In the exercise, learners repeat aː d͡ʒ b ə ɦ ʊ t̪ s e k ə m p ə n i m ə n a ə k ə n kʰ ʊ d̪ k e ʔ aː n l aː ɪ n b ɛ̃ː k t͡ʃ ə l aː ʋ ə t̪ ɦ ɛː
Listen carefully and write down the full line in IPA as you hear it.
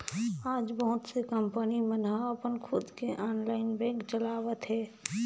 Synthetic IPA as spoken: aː d͡ʒ b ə ɦ ʊ t̪ s e k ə m p ə n i m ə n a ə p ə n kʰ ʊ d̪ k e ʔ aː n l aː ɪ n b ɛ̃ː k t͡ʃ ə l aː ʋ ə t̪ ɦ ɛː

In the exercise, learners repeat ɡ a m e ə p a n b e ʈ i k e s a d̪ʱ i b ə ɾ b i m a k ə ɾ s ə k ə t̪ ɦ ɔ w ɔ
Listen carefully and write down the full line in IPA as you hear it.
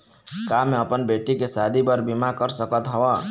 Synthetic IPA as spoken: k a m e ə p ə n b e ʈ i k e s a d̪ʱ i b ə ɾ b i m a k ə ɾ s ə k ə t̪ ɦ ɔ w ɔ

